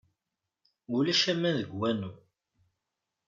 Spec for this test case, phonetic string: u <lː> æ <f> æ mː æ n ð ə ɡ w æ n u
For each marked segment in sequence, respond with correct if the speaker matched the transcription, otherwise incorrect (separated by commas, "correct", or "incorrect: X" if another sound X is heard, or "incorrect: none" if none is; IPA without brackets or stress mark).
incorrect: l, incorrect: ʃ